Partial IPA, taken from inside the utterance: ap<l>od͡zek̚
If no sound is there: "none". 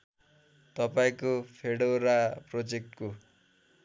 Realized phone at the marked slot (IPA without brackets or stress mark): r